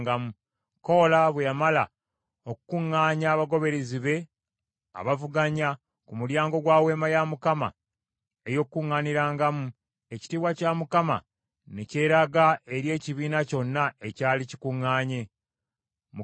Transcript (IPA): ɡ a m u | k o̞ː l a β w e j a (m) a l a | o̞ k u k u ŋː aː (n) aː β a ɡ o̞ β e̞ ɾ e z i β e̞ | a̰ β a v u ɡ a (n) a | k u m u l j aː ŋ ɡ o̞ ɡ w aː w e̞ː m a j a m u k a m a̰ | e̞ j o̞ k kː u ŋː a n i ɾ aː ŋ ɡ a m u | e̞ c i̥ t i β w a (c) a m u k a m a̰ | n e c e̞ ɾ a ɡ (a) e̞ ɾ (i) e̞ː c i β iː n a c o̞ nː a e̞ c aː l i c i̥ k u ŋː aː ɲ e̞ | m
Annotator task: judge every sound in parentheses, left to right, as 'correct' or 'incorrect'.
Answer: correct, incorrect, incorrect, correct, correct, incorrect

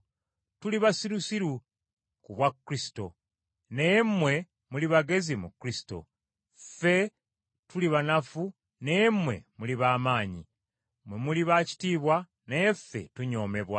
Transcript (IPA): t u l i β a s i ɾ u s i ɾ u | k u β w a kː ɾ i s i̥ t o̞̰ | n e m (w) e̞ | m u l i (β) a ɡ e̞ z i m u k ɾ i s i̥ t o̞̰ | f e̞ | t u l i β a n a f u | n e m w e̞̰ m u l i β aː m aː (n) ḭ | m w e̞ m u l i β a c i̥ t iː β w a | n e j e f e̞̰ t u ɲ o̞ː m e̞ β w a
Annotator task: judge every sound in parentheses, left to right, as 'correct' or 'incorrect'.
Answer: correct, correct, incorrect

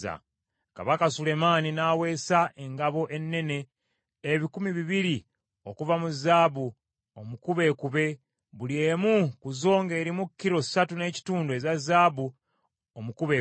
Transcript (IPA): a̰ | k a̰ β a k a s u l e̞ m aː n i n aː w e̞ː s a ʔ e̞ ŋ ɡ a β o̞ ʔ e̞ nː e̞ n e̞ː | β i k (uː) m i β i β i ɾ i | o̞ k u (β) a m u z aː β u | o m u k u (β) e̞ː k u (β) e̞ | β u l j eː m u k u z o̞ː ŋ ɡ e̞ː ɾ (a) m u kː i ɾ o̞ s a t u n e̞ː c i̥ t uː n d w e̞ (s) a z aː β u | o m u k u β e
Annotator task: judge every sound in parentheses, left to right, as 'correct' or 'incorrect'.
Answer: incorrect, incorrect, correct, correct, incorrect, incorrect

